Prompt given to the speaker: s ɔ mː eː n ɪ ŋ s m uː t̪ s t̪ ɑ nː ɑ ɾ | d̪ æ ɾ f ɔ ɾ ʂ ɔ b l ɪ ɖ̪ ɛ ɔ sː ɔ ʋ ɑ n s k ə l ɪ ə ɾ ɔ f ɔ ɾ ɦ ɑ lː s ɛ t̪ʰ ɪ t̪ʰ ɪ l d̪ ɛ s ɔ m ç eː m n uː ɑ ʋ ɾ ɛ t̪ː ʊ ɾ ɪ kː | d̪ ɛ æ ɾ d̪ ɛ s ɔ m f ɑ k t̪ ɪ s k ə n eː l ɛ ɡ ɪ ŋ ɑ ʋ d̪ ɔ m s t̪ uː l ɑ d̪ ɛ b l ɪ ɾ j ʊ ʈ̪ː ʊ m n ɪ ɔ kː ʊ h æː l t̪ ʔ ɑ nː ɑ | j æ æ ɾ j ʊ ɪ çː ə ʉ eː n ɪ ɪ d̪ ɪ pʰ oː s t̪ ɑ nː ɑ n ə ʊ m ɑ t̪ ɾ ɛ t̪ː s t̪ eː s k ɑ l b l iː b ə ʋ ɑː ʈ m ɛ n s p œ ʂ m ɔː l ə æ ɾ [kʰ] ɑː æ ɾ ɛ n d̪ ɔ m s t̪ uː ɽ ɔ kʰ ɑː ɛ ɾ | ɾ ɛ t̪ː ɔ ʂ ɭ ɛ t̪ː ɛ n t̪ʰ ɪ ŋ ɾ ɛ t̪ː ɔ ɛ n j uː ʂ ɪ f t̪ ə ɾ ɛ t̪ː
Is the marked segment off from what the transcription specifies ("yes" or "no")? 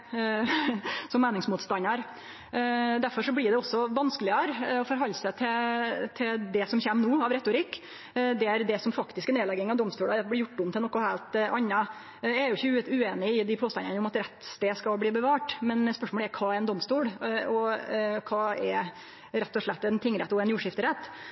no